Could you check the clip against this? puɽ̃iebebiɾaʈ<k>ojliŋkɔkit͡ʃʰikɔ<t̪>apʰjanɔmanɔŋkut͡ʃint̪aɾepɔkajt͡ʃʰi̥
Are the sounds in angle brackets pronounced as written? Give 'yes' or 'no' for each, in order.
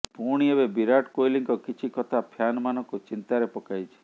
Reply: yes, no

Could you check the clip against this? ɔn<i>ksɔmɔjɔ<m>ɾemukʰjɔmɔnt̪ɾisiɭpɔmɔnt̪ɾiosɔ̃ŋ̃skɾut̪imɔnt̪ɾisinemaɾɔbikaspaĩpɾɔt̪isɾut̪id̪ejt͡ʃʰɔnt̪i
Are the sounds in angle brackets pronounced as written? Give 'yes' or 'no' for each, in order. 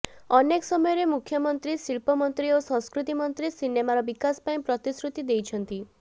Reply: no, no

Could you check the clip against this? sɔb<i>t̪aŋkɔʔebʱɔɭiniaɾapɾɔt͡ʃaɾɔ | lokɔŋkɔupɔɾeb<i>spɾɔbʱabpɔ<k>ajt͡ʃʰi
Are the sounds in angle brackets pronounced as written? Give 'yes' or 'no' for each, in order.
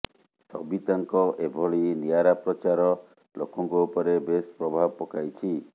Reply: yes, no, yes

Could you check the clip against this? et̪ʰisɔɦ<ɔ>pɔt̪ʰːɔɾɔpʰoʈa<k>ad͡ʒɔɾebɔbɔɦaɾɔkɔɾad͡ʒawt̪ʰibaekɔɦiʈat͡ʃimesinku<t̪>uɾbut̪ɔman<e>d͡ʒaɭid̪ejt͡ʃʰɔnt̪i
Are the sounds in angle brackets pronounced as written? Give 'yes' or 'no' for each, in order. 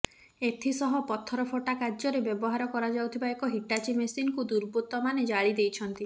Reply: yes, yes, no, yes

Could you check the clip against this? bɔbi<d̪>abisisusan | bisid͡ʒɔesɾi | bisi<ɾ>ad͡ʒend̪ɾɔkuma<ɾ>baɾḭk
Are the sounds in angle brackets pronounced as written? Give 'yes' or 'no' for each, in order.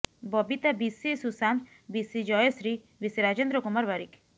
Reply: no, yes, yes

